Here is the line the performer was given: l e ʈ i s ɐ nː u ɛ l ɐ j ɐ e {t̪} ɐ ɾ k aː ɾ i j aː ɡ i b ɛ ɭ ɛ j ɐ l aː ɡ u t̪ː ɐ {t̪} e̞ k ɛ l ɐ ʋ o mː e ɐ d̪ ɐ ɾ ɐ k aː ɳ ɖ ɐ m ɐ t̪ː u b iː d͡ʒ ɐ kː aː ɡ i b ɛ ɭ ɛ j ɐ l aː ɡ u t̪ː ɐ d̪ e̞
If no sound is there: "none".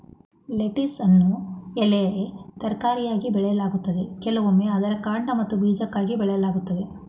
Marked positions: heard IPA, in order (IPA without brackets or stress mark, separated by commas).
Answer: t̪, d̪